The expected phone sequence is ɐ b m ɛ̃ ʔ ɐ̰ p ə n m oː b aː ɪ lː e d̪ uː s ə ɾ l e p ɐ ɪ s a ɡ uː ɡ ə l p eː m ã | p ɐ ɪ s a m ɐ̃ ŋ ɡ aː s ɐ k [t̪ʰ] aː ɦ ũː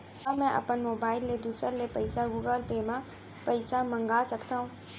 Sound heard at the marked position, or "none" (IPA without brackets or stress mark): t̪